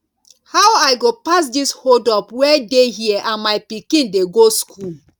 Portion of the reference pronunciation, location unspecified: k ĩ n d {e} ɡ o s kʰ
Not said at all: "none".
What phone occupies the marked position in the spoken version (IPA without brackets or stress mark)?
e